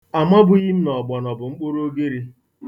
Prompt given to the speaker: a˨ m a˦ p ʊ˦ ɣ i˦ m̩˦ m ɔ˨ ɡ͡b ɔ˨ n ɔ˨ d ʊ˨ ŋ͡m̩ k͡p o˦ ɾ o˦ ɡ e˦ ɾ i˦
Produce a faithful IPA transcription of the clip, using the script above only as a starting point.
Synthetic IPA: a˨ m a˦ b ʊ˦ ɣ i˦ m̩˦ n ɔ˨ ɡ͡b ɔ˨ n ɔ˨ b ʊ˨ ŋ͡m̩ k͡p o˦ ɾ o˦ ɡ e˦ ɾ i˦